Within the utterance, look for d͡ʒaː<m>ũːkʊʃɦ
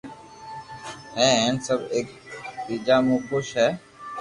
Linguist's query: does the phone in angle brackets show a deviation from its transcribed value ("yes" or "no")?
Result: no